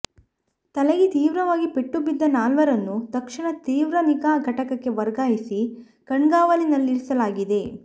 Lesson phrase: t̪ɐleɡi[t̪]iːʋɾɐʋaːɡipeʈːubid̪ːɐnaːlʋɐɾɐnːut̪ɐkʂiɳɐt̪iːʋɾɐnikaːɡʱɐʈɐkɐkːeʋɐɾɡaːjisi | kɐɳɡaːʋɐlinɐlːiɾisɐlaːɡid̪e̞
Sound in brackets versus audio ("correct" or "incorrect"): correct